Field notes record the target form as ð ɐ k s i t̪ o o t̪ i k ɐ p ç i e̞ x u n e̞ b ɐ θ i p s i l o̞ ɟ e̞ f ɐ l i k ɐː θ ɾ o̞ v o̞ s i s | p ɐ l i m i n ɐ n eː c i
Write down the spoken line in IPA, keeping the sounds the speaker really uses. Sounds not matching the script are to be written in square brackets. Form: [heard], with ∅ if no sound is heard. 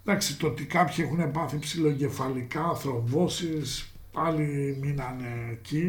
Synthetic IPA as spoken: ð ɐ k s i t̪ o o t̪ i k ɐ p ç i e̞ x u n e̞ [p] ɐ θ i p s i l o̞ ɟ e̞ f ɐ l i k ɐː θ ɾ o̞ v o̞ s i s | p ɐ l i m i n ɐ n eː c i